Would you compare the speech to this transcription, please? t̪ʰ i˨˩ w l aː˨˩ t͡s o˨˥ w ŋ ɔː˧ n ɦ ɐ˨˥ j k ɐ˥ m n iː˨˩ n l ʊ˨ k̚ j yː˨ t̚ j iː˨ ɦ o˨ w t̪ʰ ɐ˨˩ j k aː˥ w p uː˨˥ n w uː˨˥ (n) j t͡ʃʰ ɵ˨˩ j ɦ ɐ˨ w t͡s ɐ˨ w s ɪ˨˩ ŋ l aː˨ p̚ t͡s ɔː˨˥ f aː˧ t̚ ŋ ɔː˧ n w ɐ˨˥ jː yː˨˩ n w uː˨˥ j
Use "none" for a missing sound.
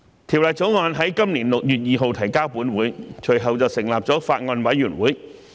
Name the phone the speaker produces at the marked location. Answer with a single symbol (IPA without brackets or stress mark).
none